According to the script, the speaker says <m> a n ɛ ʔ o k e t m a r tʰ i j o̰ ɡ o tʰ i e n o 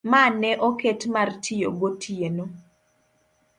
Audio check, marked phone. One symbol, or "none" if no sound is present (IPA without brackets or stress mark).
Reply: m